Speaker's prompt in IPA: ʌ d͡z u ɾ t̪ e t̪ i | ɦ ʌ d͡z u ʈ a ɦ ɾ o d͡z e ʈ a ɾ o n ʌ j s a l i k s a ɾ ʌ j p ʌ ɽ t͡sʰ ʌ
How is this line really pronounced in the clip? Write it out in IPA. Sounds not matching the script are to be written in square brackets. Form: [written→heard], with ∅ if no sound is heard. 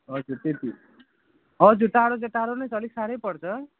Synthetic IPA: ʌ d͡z u ɾ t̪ e t̪ i | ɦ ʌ d͡z u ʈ a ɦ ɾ o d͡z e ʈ a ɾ o n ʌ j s [a→ʌ] l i k s a ɾ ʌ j p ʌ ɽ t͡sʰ ʌ